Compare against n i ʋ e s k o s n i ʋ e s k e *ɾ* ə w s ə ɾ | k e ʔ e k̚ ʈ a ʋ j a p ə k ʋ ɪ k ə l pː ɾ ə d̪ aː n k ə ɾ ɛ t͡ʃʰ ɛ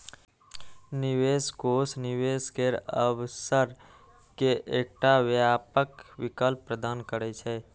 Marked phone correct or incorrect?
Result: correct